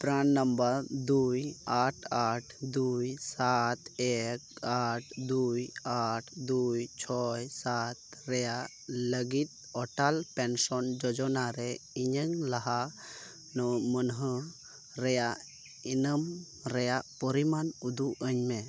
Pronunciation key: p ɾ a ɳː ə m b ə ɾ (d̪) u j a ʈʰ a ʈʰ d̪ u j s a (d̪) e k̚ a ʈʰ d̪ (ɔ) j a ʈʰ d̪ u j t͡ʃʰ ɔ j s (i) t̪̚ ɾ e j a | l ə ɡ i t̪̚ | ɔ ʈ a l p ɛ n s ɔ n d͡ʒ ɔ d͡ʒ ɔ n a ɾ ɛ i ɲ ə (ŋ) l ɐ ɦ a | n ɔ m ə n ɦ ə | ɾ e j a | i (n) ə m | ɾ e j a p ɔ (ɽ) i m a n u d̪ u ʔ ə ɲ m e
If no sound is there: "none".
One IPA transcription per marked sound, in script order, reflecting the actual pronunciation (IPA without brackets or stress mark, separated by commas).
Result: d̪, t̪, u, a, ŋ, n, ɾ